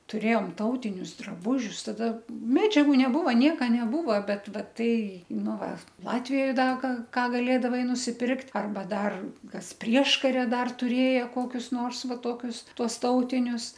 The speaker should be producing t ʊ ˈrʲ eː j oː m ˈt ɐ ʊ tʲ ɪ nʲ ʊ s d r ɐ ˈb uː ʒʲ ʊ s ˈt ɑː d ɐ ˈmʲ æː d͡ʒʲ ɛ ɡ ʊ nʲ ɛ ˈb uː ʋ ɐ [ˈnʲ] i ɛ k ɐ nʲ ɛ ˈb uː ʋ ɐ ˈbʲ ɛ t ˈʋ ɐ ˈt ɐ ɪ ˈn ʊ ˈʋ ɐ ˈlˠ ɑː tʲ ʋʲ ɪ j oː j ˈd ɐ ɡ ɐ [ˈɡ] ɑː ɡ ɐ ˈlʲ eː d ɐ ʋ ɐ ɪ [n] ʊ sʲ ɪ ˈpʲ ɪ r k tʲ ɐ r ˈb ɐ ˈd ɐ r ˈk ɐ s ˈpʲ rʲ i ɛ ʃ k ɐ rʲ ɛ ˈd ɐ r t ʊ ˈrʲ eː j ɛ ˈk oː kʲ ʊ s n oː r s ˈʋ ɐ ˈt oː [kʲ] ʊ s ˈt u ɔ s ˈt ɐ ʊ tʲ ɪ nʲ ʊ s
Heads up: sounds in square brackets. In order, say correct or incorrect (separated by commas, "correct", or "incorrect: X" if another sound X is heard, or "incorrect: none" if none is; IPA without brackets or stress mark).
correct, incorrect: k, correct, correct